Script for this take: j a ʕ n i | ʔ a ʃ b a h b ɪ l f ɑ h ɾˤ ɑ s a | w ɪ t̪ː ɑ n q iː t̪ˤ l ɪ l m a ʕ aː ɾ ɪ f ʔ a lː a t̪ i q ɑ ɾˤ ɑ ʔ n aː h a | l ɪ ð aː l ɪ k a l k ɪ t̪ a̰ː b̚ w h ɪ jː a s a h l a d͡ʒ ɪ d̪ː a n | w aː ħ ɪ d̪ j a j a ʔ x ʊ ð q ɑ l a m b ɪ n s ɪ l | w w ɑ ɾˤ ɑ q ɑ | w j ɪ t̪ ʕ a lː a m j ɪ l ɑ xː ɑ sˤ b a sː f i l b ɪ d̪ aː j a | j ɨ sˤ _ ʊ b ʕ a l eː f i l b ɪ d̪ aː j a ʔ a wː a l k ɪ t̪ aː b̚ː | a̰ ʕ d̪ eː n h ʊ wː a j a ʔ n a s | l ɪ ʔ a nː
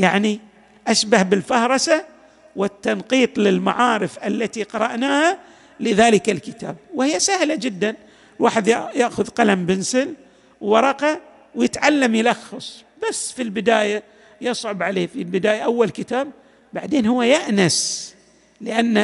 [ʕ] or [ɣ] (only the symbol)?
ʕ